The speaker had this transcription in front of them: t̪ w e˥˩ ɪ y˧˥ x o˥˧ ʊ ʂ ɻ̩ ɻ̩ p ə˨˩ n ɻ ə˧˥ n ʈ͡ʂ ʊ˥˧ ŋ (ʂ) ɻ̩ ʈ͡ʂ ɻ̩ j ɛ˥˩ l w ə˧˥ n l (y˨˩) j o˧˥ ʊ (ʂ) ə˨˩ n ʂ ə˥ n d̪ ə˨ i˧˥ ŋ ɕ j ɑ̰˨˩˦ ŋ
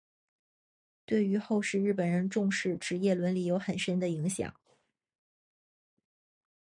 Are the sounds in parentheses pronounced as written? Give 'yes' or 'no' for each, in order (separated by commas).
yes, no, no